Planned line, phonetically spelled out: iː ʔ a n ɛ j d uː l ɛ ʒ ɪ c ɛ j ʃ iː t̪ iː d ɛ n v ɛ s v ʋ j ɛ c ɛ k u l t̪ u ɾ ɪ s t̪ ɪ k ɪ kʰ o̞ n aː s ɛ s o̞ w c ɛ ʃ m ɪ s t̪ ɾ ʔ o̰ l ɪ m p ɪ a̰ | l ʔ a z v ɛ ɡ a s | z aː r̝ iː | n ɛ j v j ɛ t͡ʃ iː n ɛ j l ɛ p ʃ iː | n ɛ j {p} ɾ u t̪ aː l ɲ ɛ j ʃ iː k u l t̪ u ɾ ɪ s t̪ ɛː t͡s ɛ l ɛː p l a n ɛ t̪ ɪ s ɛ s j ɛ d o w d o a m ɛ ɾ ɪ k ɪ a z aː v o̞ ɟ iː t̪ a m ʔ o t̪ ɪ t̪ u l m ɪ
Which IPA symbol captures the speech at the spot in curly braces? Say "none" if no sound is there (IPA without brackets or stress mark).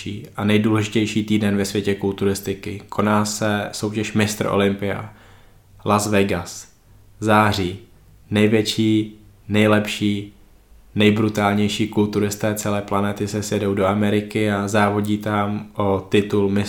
b